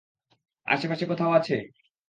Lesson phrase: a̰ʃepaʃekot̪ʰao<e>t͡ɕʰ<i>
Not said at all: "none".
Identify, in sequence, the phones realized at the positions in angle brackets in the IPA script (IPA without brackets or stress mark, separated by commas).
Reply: a, e